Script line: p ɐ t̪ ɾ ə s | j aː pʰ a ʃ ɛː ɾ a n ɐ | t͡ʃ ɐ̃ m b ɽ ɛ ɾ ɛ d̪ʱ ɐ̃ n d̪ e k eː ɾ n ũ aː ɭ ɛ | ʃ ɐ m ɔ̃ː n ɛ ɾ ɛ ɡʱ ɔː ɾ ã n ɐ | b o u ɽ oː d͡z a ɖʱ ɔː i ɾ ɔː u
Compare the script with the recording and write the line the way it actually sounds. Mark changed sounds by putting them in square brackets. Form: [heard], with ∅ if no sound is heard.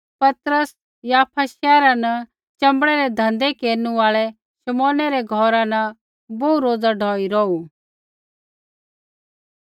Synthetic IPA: p ɐ t̪ ɾ ə s | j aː pʰ a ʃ ɛː ɾ a n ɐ | t͡ʃ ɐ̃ m b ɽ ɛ ɾ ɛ d̪ʱ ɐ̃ n d̪ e k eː ɾ n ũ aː ɭ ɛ | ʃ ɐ m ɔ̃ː n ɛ ɾ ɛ ɡʱ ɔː ɾ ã n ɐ | b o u [ɾ] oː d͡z a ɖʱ ɔː i ɾ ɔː u